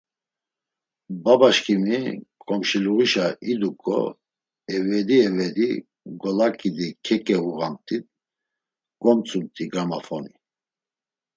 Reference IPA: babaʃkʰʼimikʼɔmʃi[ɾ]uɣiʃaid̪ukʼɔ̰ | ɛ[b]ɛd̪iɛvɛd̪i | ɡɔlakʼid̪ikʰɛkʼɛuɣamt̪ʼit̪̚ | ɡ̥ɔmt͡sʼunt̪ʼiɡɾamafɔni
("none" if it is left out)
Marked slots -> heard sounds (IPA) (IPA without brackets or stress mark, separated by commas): l, v